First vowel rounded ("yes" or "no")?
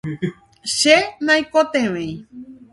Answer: no